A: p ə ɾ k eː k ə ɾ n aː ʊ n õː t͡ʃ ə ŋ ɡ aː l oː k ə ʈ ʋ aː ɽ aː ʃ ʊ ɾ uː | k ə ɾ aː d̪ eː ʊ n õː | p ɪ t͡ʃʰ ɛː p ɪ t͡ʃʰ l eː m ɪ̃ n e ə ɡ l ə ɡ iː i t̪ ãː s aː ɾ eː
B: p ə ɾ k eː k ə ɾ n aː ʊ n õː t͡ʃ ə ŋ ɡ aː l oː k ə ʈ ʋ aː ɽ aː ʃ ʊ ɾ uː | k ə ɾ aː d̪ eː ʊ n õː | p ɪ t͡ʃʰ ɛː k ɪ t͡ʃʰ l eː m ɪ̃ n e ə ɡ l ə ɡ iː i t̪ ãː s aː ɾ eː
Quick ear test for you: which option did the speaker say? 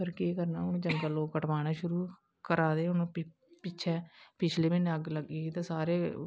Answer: A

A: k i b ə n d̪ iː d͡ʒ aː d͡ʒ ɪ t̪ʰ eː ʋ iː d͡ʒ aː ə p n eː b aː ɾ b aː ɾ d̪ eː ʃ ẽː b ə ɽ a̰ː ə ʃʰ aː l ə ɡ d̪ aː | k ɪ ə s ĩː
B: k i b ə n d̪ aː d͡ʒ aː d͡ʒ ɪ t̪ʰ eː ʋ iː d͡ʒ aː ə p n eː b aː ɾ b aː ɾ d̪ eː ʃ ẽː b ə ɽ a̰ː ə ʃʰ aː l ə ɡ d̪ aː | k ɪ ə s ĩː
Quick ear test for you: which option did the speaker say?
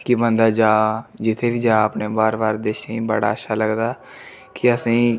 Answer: B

